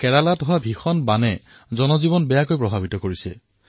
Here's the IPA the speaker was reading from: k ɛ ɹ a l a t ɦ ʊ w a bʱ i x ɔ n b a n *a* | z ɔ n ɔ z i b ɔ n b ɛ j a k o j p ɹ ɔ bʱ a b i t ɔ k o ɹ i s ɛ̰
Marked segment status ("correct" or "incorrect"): incorrect